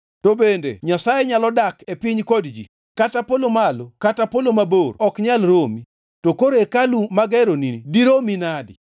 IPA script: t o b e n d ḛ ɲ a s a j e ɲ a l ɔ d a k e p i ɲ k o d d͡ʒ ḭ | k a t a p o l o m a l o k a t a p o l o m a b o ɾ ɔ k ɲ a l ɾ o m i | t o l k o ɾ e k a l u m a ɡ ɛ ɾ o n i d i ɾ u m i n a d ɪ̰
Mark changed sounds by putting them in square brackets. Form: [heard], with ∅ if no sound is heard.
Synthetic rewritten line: t o b e n d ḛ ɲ a s a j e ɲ a l ɔ d a k e p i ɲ k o d d͡ʒ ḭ | k a t a p o l o m a l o k a t a p o l o m a b o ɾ ɔ k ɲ a l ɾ o m i | t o [∅] k o ɾ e k a l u m a ɡ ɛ ɾ o n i d i ɾ [o] m i n a d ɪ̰